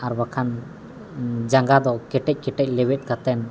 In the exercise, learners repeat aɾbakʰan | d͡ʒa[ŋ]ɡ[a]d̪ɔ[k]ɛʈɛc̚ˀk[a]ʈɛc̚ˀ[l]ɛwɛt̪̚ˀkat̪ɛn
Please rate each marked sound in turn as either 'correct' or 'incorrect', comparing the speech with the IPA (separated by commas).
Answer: correct, correct, correct, incorrect, correct